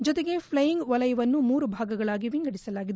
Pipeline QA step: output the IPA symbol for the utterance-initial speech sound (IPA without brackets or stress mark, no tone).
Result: d͡ʒ